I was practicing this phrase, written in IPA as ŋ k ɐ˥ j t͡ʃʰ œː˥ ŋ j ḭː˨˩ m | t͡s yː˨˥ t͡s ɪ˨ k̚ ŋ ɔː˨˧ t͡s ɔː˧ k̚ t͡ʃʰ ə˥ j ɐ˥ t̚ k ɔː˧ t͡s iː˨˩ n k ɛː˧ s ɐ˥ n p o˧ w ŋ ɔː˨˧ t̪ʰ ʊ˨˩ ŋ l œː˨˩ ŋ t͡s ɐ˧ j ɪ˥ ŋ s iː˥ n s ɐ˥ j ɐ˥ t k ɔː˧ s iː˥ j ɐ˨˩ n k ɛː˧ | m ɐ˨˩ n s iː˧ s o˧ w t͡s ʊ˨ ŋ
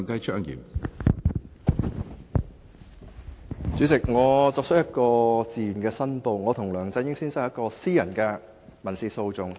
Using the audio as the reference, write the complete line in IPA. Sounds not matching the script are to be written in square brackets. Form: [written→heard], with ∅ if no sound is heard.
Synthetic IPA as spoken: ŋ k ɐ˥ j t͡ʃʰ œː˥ ŋ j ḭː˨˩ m | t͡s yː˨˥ t͡s ɪ˨ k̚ ŋ ɔː˨˧ t͡s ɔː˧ k̚ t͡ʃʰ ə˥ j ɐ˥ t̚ k ɔː˧ t͡s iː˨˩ n k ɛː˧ s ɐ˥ n p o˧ w ŋ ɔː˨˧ t̪ʰ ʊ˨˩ ŋ l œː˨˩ ŋ t͡s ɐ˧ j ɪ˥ ŋ s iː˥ n s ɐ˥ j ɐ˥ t k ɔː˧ s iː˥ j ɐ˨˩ n k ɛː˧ | m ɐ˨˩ n s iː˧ s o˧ w t͡s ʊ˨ ŋ